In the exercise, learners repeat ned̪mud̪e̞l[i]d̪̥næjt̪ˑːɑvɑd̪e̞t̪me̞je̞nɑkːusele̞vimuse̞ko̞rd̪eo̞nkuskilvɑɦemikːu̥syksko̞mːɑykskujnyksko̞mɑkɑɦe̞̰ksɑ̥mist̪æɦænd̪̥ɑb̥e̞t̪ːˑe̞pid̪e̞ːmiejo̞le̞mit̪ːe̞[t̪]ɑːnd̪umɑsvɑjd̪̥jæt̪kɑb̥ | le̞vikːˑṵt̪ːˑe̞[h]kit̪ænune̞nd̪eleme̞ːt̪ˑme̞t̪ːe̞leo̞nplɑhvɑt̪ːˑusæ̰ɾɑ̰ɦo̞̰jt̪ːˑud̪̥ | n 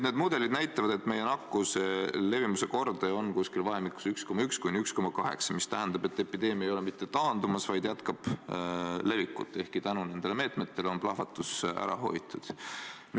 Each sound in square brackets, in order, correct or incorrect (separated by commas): correct, correct, correct